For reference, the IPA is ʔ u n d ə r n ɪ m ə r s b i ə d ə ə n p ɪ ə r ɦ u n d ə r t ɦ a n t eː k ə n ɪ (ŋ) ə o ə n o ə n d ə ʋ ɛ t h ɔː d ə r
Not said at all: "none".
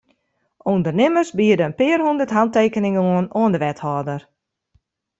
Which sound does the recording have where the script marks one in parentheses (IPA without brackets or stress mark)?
ŋ